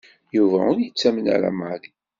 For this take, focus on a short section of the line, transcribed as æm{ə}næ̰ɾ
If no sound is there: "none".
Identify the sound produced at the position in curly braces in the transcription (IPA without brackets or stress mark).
ə